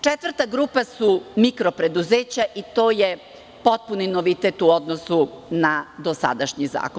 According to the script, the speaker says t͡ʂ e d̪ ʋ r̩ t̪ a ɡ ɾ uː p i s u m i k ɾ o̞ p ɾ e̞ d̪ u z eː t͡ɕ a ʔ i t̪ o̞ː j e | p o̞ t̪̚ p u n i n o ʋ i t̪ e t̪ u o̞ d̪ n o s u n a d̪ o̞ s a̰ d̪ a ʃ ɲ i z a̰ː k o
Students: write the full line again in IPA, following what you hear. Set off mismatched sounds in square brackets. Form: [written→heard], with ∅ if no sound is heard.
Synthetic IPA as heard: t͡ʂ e [d̪→t̪] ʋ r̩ t̪ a ɡ ɾ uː p [i→a] s u m i k ɾ o̞ p ɾ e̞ d̪ u z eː t͡ɕ a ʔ i t̪ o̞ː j e | p o̞ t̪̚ p u n i n o ʋ i t̪ e t̪ u o̞ d̪ n o s u n a d̪ o̞ s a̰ d̪ a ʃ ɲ i z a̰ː k o